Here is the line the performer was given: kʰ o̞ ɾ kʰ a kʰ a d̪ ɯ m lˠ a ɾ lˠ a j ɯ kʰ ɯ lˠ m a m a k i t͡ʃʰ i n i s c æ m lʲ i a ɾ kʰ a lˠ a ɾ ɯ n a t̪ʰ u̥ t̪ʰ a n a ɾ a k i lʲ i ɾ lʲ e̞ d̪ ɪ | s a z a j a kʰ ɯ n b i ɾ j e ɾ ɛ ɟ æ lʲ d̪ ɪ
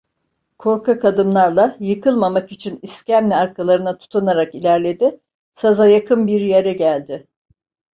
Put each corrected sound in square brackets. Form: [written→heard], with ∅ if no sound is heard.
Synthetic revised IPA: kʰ o̞ ɾ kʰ a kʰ a d̪ ɯ m lˠ a ɾ lˠ a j ɯ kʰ ɯ lˠ m a m a k i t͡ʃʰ i n i s c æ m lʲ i a ɾ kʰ a lˠ a ɾ ɯ n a t̪ʰ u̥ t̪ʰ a n a ɾ a k i lʲ [i→æ] ɾ lʲ e̞ d̪ ɪ | s a z a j a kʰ ɯ n b i ɾ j e ɾ ɛ ɟ æ lʲ d̪ ɪ

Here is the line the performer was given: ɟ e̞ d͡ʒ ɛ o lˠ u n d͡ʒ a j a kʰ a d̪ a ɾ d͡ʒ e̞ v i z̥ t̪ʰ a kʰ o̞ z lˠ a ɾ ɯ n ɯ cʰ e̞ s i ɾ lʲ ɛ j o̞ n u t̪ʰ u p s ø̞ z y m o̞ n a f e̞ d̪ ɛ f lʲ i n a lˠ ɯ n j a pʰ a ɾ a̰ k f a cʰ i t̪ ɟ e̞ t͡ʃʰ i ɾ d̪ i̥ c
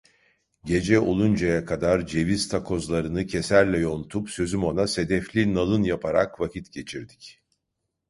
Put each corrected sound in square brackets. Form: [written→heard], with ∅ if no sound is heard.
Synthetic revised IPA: ɟ e̞ d͡ʒ ɛ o lˠ u n d͡ʒ a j a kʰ a d̪ a ɾ d͡ʒ e̞ v i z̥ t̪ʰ a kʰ o̞ z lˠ a ɾ ɯ n ɯ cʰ e̞ s [i→æ] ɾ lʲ ɛ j o̞ n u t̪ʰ u p s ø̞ z y m o̞ n a [f→s] e̞ d̪ ɛ f lʲ i n a lˠ ɯ n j a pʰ a ɾ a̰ k [f→v] a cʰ i t̪ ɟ e̞ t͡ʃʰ i ɾ d̪ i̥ c

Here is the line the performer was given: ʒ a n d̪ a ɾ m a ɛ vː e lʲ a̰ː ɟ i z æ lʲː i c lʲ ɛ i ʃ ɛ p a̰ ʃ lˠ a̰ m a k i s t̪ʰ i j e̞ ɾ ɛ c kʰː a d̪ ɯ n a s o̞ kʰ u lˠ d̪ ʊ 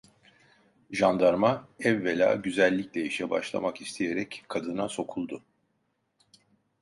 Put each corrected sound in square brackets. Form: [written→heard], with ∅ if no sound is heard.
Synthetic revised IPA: ʒ a n d̪ a ɾ m a ɛ vː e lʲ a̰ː ɟ [i→y] z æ lʲː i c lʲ ɛ i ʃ ɛ [p→b] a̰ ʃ lˠ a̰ m a k i s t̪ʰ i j e̞ ɾ ɛ c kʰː a d̪ ɯ n a s o̞ kʰ u lˠ d̪ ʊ

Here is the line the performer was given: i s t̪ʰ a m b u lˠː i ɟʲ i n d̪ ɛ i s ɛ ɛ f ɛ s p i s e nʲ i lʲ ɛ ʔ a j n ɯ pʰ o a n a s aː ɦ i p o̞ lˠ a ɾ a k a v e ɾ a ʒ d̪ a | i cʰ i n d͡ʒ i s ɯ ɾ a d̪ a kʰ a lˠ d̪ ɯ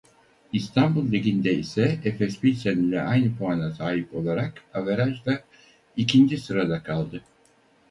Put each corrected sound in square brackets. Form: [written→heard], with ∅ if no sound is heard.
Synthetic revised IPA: i s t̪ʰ a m b u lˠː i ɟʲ i n d̪ ɛ i s ɛ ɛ f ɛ s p i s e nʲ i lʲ ɛ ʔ a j n ɯ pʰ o a n a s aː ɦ i p o̞ lˠ a ɾ a k a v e ɾ a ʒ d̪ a | i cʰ i n d͡ʒ i s ɯ ɾ a d̪ a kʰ a lˠ d̪ ɯ

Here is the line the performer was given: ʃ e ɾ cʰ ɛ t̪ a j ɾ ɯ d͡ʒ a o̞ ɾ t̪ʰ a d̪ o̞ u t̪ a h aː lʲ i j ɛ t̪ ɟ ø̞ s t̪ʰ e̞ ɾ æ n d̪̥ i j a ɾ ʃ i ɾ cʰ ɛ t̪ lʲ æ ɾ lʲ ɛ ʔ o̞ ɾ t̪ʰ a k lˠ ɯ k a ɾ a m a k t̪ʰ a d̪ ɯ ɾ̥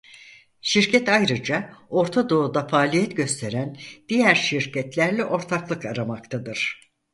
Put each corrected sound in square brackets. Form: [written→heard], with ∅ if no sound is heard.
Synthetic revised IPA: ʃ [e→i] ɾ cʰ ɛ t̪ a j ɾ ɯ d͡ʒ a o̞ ɾ t̪ʰ a d̪ o̞ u [t̪→d̪] a [h→f] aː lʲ i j ɛ t̪ ɟ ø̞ s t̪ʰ e̞ ɾ æ n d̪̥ i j [a→æ] ɾ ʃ i ɾ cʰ ɛ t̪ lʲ æ ɾ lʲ ɛ ʔ o̞ ɾ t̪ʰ a k lˠ ɯ k a ɾ a m a k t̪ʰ a d̪ ɯ ɾ̥

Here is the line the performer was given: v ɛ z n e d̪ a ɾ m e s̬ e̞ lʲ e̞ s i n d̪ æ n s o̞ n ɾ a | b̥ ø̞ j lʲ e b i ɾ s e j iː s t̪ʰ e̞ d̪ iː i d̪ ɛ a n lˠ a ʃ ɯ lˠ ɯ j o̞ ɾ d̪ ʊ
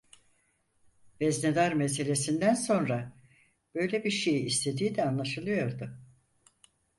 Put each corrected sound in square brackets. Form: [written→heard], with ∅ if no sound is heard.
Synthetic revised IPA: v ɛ z n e d̪ a ɾ m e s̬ e̞ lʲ e̞ s i n d̪ æ n s o̞ n ɾ a | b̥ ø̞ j lʲ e b i ɾ [s→ʃ] e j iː s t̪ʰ e̞ d̪ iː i d̪ ɛ a n lˠ a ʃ ɯ lˠ ɯ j o̞ ɾ d̪ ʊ

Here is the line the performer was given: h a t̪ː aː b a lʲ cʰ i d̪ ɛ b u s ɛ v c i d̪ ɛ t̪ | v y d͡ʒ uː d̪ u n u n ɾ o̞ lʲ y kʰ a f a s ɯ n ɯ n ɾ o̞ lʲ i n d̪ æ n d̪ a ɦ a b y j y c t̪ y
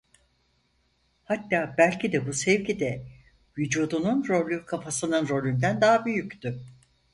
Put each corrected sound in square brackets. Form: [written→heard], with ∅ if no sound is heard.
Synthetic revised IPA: h a t̪ː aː b [a→æ] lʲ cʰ i d̪ ɛ b u s ɛ v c i d̪ ɛ [t̪→∅] | v y d͡ʒ uː d̪ u n u n ɾ o̞ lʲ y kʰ a f a s ɯ n ɯ n ɾ o̞ lʲ [i→y] n d̪ æ n d̪ a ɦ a b y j y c t̪ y

